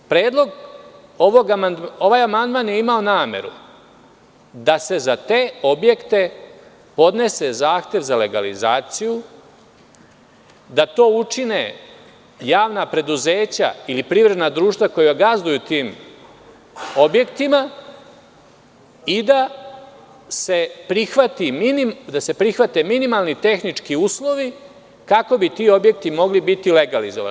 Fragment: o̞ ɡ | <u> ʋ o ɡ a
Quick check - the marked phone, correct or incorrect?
incorrect